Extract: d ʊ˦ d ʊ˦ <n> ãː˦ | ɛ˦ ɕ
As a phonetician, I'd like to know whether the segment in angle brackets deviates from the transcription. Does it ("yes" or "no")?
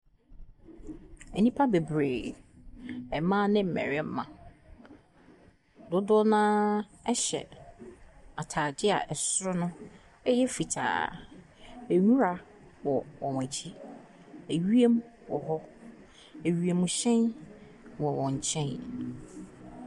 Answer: no